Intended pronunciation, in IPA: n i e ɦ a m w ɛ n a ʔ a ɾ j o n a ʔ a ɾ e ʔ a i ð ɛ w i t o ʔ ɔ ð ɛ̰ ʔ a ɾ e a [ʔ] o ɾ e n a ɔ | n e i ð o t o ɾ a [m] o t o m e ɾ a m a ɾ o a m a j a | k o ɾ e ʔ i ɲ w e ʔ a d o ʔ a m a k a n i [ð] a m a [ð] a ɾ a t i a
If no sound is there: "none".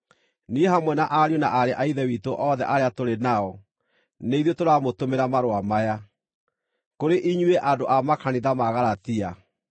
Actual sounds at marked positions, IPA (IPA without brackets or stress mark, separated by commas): t, m, ð, ɣ